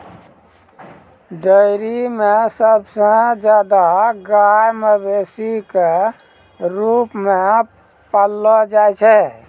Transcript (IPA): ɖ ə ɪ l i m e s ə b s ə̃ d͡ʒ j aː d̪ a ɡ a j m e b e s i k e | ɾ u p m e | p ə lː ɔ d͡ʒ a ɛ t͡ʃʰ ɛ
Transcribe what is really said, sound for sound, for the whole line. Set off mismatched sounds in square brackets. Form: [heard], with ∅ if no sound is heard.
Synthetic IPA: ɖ ə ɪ [ɾ] i m e s ə b s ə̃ d͡ʒ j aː d̪ a ɡ a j m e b e s i k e | ɾ u p m e | p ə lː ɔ d͡ʒ a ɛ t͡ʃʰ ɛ